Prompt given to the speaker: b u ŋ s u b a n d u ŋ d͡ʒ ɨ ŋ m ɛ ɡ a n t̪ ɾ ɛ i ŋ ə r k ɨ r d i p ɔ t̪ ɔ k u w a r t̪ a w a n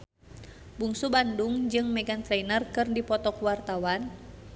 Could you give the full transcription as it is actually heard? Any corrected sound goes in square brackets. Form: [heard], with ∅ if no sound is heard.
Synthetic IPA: b u ŋ s u b a n d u ŋ d͡ʒ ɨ ŋ m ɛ ɡ a n t̪ ɾ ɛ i [n] ə r k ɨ r d i p ɔ t̪ ɔ k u w a r t̪ a w a n